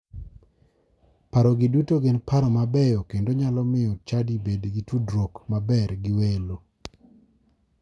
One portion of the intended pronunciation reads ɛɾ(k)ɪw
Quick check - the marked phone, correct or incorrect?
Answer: incorrect